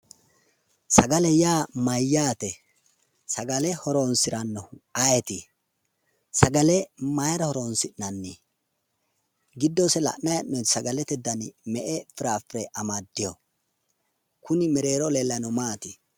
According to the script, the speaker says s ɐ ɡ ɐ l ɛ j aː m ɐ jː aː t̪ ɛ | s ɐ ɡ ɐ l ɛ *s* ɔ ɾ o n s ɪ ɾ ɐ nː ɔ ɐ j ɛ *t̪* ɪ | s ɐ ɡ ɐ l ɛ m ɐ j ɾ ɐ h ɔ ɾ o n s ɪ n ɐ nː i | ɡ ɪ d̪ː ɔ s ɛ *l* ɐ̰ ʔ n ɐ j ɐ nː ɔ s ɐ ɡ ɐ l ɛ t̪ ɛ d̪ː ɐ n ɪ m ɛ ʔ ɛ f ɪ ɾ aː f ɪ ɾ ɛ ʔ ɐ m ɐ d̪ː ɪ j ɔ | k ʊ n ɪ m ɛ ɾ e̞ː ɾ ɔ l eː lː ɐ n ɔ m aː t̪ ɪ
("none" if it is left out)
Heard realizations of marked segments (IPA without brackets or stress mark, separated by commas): h, t̪, l